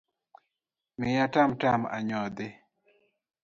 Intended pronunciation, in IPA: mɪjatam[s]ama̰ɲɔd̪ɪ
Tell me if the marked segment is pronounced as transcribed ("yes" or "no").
no